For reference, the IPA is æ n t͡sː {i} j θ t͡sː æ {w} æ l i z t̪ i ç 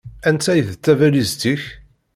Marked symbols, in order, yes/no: no, no

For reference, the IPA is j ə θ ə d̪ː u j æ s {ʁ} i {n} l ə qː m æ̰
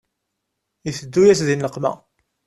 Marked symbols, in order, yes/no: no, yes

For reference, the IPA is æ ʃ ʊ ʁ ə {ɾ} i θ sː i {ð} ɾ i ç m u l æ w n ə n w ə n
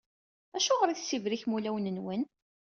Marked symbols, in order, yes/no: yes, no

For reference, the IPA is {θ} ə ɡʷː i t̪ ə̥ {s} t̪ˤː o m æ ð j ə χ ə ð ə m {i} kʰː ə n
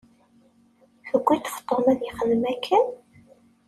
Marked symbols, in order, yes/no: no, no, no

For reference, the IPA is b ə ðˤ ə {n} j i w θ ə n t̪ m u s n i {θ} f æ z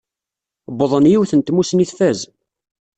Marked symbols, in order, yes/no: yes, yes

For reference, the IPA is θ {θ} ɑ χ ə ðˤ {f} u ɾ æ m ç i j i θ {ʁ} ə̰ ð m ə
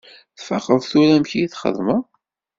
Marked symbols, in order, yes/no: no, no, no

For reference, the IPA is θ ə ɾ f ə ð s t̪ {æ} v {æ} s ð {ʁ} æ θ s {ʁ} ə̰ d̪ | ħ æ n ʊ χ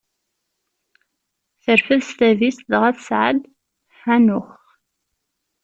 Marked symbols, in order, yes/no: yes, no, yes, no

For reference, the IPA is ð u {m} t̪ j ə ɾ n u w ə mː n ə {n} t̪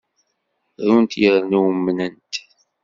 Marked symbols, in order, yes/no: no, yes

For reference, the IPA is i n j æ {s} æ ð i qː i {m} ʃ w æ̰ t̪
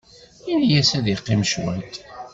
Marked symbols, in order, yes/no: yes, yes

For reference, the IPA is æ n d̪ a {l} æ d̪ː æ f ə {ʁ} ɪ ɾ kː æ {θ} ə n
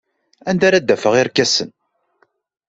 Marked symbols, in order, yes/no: no, yes, no

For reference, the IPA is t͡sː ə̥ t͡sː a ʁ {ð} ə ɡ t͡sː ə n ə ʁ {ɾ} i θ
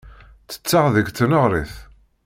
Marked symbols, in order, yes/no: yes, yes

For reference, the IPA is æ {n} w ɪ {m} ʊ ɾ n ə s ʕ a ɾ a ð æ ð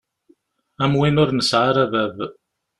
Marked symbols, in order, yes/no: no, no

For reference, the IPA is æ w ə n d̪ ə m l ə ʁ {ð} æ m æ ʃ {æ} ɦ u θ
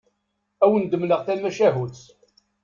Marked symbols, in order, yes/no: no, yes

